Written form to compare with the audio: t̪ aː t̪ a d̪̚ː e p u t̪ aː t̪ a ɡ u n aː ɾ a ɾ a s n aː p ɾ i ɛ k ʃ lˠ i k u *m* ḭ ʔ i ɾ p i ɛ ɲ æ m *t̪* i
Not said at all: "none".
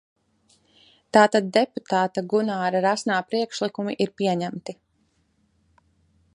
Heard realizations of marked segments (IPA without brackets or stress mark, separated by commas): m, t̪